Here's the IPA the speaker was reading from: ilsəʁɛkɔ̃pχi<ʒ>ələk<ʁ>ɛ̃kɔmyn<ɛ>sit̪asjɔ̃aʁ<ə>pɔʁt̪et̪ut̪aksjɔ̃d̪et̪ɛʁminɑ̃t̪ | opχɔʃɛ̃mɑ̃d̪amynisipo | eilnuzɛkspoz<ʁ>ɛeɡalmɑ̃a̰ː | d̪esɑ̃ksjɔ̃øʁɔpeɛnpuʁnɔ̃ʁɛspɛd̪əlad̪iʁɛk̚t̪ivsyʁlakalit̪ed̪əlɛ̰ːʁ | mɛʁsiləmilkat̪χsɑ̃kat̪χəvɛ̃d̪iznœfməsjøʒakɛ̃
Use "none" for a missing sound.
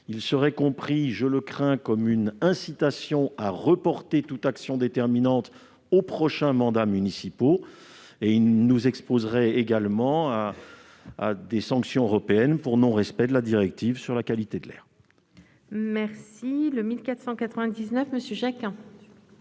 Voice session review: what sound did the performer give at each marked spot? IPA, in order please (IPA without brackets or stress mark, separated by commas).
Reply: ʒ, χ, ɛ̃, ə, ʁ